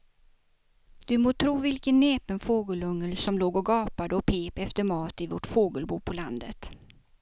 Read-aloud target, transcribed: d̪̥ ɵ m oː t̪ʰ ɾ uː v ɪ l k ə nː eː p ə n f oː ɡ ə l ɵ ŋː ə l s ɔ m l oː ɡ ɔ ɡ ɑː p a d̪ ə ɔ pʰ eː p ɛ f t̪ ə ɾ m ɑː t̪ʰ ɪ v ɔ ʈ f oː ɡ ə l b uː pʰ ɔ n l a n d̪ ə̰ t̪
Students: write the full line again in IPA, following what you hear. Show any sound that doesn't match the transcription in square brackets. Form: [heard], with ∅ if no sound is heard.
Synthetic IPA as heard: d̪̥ ɵ m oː t̪ʰ ɾ uː v ɪ l k ə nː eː p ə n f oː ɡ ə l ɵ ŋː ə l s ɔ m l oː ɡ ɔ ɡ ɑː p a d̪ ə ɔ pʰ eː p ɛ f t̪ ə ɾ m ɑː [t̪] ɪ v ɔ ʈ f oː ɡ ə l b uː pʰ ɔ [∅] l a n d̪ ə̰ t̪